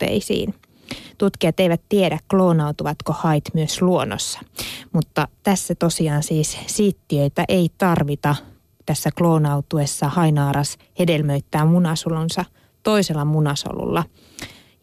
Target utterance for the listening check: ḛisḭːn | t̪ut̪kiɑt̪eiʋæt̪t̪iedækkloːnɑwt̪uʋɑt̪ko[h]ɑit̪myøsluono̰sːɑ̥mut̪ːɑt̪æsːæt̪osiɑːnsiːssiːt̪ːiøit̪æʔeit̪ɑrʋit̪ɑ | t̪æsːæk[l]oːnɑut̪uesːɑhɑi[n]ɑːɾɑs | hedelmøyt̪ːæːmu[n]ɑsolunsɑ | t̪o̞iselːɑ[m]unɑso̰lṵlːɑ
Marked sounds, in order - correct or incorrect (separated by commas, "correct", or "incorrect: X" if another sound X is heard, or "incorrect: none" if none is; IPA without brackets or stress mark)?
correct, correct, correct, correct, correct